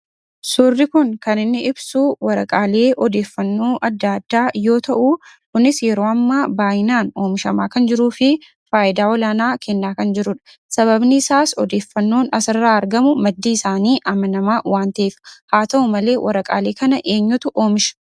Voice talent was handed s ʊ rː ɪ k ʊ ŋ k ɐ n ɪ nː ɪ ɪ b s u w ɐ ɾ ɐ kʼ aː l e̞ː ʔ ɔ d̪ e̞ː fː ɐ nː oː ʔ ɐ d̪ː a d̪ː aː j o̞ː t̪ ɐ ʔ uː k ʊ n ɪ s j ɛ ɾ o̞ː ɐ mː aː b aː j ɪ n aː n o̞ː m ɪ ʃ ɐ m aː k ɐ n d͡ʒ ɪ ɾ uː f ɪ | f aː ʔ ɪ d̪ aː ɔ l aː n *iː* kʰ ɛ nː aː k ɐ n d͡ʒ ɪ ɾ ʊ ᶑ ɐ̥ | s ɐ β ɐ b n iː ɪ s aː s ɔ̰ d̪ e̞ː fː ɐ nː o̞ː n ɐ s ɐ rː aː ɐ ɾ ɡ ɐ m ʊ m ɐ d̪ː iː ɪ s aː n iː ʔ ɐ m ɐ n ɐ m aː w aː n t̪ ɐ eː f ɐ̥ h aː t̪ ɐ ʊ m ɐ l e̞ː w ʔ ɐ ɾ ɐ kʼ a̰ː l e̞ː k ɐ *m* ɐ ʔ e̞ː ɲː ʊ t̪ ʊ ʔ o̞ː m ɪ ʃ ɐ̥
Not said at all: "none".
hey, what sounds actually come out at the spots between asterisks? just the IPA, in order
aː, n

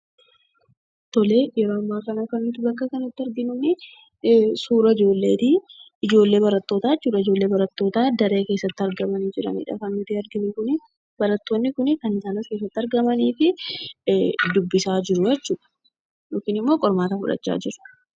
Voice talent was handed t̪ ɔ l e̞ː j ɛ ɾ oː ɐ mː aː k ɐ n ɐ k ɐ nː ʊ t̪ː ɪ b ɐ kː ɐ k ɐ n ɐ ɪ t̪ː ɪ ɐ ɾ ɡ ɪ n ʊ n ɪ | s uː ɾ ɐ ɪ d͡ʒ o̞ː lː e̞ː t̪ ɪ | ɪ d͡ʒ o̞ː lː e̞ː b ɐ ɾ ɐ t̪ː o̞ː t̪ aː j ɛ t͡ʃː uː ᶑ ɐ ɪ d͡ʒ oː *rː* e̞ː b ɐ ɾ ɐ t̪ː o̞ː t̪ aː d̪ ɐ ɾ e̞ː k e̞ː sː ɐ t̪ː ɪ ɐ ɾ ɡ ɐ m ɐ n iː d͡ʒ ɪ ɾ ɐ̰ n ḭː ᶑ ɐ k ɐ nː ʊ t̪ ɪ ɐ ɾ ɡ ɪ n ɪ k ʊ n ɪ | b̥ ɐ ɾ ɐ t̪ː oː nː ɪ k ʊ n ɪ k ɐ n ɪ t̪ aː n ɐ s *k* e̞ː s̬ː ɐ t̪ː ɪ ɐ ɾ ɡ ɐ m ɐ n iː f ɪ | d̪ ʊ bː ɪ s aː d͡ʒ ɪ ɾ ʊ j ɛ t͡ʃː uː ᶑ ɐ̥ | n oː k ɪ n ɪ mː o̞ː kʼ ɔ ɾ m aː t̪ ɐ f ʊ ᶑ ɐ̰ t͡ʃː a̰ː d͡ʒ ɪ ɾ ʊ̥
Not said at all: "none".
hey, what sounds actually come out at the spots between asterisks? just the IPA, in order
lː, k

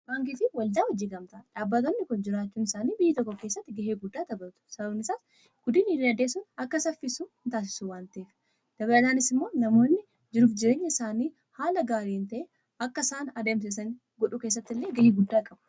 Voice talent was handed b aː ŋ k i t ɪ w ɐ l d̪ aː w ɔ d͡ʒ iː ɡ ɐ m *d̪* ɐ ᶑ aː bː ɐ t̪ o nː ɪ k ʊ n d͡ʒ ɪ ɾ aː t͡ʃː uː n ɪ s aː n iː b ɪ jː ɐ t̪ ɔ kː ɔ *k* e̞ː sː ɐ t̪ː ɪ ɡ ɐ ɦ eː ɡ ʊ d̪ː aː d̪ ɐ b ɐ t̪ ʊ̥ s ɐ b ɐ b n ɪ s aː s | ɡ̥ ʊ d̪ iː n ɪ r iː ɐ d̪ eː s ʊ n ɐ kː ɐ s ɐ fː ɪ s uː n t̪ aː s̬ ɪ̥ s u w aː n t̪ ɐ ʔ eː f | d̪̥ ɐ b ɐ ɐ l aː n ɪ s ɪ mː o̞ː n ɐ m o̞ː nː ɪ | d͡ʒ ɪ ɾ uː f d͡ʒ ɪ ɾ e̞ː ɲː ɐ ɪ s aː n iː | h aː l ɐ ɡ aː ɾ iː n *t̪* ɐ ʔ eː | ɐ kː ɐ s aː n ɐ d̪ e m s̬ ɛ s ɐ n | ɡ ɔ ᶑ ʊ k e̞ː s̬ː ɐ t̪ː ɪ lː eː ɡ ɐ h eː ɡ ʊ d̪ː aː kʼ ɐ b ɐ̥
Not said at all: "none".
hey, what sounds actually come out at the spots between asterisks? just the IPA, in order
t̪, k, t̪

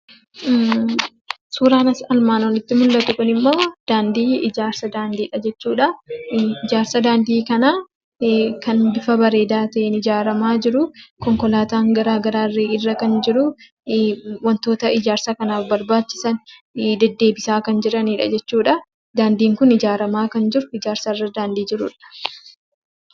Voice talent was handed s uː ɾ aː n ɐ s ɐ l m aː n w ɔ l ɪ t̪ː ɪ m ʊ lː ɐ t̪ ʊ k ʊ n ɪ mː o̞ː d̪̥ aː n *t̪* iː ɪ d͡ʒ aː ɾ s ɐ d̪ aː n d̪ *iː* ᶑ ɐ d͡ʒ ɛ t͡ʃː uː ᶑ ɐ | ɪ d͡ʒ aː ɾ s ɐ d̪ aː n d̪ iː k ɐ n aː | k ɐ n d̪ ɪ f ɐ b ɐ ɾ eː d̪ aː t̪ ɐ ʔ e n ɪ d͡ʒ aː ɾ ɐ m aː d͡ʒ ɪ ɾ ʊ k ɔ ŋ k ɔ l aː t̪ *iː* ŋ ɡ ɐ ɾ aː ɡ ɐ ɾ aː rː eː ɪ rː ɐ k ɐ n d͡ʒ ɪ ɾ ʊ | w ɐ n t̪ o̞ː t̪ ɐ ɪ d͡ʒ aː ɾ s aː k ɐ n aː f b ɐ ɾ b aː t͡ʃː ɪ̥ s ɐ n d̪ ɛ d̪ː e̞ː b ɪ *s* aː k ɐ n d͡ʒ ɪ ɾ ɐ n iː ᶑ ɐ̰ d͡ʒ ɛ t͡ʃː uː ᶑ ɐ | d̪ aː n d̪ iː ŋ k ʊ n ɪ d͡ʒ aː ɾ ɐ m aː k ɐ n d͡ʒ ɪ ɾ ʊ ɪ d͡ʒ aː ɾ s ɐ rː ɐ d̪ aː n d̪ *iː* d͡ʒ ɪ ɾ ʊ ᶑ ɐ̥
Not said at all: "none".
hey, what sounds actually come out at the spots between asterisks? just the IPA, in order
d̪, iː, aː, s, iː

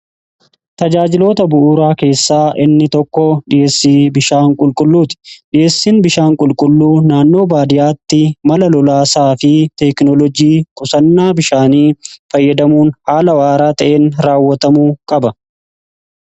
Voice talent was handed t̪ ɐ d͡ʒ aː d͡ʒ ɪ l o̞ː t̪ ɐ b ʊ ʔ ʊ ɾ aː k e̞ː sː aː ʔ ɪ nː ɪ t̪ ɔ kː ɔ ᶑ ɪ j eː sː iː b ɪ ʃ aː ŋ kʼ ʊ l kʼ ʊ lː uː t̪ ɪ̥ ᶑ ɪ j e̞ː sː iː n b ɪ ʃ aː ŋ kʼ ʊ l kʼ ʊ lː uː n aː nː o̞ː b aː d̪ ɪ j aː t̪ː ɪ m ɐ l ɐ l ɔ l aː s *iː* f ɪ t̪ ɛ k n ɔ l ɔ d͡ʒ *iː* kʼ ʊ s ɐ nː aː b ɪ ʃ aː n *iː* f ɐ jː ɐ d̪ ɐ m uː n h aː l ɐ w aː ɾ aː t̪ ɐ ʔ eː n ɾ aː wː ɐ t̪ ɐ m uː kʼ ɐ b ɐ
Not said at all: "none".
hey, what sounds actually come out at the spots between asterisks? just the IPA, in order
aː, iː, iː

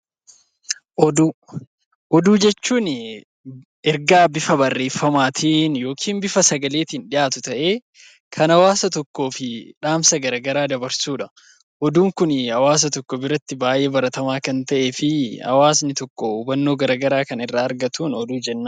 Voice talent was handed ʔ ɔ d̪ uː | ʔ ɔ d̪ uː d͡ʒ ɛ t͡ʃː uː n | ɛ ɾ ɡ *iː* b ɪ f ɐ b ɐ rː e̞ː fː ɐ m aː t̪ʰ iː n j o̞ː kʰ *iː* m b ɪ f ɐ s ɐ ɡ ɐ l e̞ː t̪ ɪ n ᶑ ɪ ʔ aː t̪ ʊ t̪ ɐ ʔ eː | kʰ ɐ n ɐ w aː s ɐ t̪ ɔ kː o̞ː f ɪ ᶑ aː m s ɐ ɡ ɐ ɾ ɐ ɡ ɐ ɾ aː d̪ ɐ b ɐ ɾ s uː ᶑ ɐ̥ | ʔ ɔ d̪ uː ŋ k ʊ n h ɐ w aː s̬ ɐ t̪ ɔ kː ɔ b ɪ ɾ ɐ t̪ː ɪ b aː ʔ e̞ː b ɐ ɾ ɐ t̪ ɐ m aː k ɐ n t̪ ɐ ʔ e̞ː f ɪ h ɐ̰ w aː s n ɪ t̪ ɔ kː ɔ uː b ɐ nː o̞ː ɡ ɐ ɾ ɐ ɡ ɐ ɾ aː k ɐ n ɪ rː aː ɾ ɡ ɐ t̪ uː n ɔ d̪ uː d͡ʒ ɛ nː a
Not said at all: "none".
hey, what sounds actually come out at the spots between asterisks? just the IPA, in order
aː, iː

